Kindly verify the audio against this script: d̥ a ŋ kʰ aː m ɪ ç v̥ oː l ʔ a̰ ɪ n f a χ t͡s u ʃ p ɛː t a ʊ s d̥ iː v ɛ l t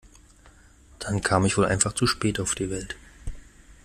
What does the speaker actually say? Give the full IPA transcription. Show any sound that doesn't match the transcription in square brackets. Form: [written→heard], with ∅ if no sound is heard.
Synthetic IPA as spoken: d̥ a [ŋ→n] kʰ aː m ɪ ç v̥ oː l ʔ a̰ ɪ n f a χ t͡s u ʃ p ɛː t a ʊ [s→f] d̥ iː v ɛ l t

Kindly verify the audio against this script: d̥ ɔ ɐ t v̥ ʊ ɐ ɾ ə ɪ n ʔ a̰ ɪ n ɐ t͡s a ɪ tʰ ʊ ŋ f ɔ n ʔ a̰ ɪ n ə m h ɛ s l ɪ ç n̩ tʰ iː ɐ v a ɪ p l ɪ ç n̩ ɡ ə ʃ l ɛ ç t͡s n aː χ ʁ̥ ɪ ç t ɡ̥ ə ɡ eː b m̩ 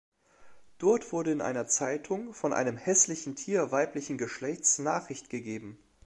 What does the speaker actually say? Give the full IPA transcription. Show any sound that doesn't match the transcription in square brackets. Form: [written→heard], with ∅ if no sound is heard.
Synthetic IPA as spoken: d̥ ɔ ɐ t v̥ ʊ ɐ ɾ ə ɪ n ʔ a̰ ɪ n ɐ t͡s a ɪ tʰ ʊ ŋ f ɔ n ʔ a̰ ɪ n ə m h ɛ s l ɪ ç n̩ tʰ iː ɐ v a ɪ p l ɪ ç n̩ ɡ ə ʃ l ɛ ç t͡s n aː χ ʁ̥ ɪ ç t ɡ̥ ə ɡ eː b m̩

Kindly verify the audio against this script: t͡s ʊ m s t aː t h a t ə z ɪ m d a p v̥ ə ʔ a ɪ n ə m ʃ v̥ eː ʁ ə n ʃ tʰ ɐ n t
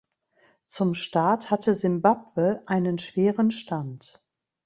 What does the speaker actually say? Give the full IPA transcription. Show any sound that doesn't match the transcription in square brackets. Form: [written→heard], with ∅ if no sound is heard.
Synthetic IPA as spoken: t͡s ʊ m [s→ʃ] t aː t h a t ə z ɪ m [d→b] a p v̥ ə ʔ a ɪ n ə [m→n] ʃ v̥ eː ʁ ə n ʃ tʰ [ɐ→a] n t

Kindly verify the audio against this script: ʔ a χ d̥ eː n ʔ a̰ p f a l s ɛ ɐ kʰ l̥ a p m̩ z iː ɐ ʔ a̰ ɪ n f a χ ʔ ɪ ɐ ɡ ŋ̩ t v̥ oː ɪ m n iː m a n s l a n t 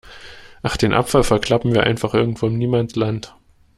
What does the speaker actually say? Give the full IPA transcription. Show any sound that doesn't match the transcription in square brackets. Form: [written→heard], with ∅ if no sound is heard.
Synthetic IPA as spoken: ʔ a χ d̥ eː n ʔ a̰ p f a l [s→f] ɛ ɐ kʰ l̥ a p m̩ [z→v] iː ɐ ʔ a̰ ɪ n f a χ ʔ ɪ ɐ ɡ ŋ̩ t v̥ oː ɪ m n iː m a n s l a n t

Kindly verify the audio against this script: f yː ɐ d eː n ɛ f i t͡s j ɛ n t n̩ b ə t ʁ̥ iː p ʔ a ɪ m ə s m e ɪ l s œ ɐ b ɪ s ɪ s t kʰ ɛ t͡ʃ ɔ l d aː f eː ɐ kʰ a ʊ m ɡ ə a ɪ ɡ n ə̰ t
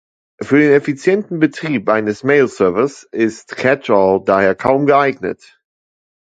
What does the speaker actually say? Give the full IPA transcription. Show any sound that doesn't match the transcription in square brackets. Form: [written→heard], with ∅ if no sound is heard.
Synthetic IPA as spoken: f yː ɐ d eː n ɛ f i t͡s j ɛ n t n̩ b ə t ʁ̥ iː p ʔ a ɪ [m→n] ə s m e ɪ l s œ ɐ [b→v] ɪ s ɪ s t kʰ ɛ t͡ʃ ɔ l d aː [f→h] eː ɐ kʰ a ʊ m ɡ ə a ɪ ɡ n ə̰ t

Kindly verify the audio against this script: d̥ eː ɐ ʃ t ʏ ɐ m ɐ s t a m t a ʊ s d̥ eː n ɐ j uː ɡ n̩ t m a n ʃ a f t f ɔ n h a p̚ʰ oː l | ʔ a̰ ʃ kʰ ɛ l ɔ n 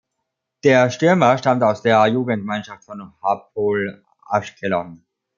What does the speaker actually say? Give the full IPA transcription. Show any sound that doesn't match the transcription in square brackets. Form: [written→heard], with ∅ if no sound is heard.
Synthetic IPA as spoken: d̥ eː ɐ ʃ t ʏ ɐ m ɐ [s→ʃ] t a m t a ʊ s d̥ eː [n→∅] ɐ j uː ɡ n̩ t m a n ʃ a f t f ɔ n h a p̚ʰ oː l | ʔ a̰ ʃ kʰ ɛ l ɔ n

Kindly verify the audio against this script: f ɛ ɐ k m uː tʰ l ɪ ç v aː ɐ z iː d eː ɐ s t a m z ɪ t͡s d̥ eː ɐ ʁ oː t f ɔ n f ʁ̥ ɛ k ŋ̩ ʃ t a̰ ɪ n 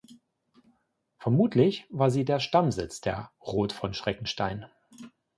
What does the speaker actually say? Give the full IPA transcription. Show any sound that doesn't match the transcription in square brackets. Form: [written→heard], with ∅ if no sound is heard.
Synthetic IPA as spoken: f ɛ ɐ [k→∅] m uː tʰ l ɪ ç v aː ɐ z iː d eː ɐ [s→ʃ] t a m z ɪ t͡s d̥ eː ɐ ʁ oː t f ɔ n [f→ʃ] ʁ̥ ɛ k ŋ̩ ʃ t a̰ ɪ n

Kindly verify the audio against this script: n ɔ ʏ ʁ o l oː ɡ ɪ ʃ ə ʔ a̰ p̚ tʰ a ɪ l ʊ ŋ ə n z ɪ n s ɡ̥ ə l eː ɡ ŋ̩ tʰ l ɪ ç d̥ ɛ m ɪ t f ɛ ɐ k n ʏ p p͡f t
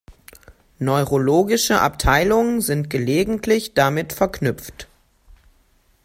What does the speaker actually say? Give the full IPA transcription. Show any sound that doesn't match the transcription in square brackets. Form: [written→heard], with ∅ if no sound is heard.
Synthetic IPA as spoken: n ɔ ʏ ʁ o l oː ɡ ɪ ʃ ə ʔ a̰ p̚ tʰ a ɪ l ʊ ŋ ə n z ɪ n [s→t] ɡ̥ ə l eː ɡ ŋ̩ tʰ l ɪ ç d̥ [ɛ→a] m ɪ t f ɛ ɐ k n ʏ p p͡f t

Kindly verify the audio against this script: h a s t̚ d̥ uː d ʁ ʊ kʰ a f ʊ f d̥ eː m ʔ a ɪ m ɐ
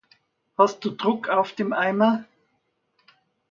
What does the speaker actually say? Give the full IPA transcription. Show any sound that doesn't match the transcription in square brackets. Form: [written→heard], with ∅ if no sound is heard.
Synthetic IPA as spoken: h a s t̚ d̥ uː d ʁ ʊ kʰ a [f→∅] ʊ f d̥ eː m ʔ a ɪ m ɐ

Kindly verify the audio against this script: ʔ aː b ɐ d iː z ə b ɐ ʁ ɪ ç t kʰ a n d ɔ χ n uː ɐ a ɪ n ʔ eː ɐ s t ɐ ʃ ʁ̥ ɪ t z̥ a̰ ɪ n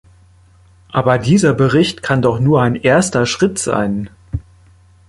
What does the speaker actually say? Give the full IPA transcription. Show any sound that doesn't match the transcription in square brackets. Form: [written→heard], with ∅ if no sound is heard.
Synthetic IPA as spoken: ʔ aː b ɐ d iː z [ə→ɐ] b [ɐ→ə] ʁ ɪ ç t kʰ a n d ɔ χ n uː ɐ a ɪ n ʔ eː ɐ s t ɐ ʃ ʁ̥ ɪ t z̥ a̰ ɪ n

